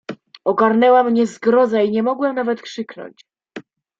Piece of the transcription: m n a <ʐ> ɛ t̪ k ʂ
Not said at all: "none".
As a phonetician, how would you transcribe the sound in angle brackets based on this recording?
v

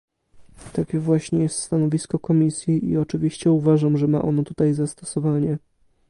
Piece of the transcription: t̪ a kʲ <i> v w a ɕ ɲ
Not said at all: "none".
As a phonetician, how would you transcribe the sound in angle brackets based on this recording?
ɛ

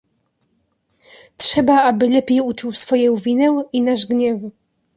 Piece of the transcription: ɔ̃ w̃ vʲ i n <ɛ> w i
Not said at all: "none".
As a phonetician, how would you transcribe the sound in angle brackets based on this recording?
ɛ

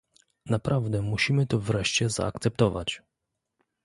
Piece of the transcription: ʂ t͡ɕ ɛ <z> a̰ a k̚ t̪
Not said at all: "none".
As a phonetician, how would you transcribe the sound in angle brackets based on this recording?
z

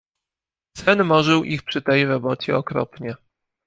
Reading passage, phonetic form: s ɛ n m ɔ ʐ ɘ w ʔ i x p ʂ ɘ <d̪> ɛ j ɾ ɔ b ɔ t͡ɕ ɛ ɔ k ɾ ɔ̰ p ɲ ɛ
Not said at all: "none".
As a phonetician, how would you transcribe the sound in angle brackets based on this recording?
t̪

